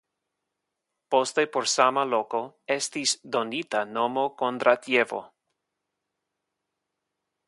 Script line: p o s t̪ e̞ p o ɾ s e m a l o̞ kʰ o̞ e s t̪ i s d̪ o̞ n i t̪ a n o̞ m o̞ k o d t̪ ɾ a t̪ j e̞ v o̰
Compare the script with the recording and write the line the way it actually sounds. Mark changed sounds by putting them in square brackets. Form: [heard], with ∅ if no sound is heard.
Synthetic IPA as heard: p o s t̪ e̞ p o ɾ s [a] m a l o̞ [k] o̞ e s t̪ i s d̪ o̞ n i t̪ a n o̞ m o̞ k o [n] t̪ ɾ a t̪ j e̞ v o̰